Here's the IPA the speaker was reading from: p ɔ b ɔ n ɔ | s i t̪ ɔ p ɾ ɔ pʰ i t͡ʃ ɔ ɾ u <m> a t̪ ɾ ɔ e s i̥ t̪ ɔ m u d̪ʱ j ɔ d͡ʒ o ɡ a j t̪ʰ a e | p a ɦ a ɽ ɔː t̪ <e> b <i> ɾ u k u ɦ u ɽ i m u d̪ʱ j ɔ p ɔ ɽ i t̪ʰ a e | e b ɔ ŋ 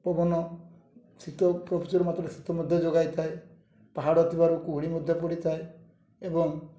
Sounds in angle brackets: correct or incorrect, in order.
correct, incorrect, incorrect

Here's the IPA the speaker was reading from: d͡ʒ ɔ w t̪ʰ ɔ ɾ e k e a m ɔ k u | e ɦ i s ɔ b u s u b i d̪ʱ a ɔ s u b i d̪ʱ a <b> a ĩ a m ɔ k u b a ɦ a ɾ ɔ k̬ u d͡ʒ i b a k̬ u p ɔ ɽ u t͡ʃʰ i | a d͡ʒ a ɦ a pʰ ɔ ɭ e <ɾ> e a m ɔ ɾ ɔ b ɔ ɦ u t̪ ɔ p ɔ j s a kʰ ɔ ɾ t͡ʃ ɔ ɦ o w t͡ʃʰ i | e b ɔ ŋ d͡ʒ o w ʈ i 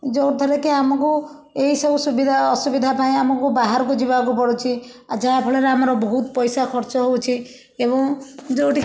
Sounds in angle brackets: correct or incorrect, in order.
incorrect, correct

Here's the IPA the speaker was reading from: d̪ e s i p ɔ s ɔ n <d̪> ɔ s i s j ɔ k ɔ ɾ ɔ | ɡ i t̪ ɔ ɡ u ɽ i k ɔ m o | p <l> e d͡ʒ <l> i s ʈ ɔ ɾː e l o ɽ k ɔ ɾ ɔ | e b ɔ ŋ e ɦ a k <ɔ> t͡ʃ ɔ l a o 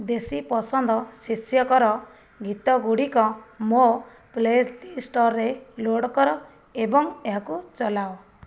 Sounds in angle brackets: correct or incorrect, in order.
correct, correct, correct, incorrect

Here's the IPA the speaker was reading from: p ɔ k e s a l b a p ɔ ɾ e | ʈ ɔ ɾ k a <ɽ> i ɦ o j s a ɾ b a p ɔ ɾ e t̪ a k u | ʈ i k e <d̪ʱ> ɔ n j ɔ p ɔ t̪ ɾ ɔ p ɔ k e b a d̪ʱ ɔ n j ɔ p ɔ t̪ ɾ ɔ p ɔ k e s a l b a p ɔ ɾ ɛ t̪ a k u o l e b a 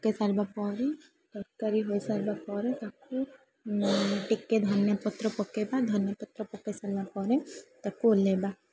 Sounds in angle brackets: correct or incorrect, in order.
incorrect, correct

